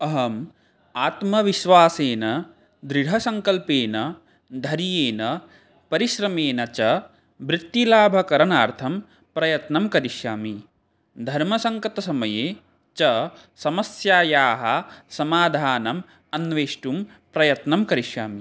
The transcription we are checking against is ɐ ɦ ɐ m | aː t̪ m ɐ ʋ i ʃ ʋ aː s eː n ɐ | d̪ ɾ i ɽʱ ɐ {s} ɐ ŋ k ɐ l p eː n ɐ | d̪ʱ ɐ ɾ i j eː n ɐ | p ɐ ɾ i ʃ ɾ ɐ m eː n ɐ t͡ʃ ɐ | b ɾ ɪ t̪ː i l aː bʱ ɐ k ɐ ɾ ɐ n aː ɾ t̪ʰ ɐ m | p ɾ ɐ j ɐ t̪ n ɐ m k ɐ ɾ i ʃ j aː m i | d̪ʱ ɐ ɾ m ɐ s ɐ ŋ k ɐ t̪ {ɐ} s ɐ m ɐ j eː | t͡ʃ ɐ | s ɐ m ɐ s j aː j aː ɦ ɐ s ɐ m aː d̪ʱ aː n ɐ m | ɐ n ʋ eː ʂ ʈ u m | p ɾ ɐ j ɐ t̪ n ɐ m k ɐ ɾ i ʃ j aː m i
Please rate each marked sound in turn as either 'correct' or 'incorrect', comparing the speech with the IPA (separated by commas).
correct, correct